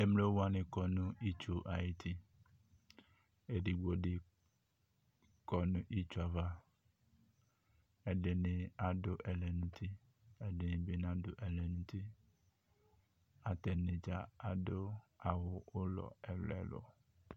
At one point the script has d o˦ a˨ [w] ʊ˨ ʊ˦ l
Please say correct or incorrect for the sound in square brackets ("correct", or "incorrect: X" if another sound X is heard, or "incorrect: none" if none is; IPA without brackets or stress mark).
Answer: correct